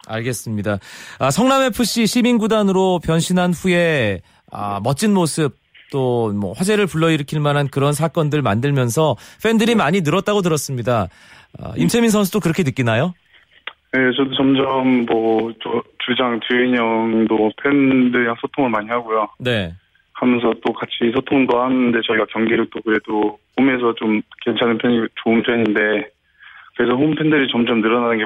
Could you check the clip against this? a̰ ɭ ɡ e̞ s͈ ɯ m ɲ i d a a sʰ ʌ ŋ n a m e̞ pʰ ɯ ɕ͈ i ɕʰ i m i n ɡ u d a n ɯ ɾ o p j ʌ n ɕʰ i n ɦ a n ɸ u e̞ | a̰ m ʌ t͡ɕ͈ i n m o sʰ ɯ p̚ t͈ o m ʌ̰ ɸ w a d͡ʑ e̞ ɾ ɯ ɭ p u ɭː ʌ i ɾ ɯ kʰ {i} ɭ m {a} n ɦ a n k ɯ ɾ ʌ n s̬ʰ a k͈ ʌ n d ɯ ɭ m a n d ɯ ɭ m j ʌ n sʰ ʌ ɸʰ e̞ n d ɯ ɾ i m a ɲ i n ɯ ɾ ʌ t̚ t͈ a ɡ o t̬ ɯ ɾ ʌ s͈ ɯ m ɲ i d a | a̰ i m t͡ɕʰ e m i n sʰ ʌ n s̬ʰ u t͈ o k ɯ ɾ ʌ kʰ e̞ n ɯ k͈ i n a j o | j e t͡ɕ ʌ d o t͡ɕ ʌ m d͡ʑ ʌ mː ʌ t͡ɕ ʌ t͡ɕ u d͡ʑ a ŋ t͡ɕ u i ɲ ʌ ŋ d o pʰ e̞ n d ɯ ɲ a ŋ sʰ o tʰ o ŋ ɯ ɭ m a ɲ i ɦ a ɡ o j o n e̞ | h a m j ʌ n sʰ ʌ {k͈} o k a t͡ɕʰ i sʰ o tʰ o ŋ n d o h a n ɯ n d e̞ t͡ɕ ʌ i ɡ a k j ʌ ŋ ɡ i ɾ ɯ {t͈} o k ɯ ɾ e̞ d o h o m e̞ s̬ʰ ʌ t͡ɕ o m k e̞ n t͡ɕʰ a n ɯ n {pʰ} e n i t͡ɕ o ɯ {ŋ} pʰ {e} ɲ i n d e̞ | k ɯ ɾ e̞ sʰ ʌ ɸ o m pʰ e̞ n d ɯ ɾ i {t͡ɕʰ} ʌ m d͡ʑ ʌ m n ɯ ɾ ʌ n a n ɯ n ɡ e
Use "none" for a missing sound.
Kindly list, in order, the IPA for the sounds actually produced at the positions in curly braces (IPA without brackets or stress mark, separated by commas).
i, a, t͈, t͈, pʰ, n, e, t͡ɕ